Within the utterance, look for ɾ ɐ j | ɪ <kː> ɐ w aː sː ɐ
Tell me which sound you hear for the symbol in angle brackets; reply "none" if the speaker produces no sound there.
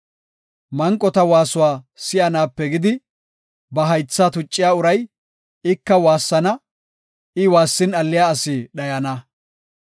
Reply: kː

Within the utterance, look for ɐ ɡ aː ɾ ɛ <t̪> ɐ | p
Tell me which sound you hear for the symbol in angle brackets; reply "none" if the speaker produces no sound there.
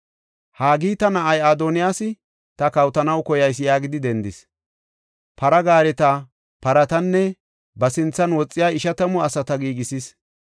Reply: t̪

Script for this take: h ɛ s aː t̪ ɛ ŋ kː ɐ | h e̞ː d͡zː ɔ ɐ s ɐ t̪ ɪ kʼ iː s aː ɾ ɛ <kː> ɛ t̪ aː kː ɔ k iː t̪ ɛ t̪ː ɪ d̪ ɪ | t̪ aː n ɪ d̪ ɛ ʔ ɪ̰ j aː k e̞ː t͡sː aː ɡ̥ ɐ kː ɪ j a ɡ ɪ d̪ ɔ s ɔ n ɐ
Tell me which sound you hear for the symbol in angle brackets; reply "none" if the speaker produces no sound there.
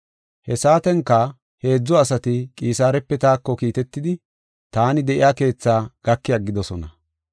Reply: pː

